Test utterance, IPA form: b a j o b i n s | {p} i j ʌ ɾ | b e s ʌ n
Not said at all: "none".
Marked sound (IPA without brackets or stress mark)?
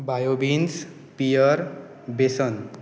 p